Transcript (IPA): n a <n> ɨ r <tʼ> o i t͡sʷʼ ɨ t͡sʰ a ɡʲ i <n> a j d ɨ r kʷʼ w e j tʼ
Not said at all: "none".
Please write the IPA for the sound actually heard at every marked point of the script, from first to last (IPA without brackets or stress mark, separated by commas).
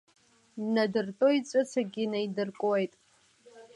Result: d, tʼ, n